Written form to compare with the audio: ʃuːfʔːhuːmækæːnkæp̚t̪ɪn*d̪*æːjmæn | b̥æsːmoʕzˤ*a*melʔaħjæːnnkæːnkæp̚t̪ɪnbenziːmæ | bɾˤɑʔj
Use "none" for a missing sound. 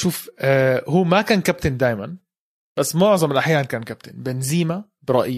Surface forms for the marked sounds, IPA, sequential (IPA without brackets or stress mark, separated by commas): d̪, ɑ